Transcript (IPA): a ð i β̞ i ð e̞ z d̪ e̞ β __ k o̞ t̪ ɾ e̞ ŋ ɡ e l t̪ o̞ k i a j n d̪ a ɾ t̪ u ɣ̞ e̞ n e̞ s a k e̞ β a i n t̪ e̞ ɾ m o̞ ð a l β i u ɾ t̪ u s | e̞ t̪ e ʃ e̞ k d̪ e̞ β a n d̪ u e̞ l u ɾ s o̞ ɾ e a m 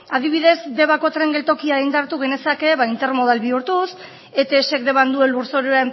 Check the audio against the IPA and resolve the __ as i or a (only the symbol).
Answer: a